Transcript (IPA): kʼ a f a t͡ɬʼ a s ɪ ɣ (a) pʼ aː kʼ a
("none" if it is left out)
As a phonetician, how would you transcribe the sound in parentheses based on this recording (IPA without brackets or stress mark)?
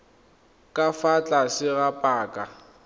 a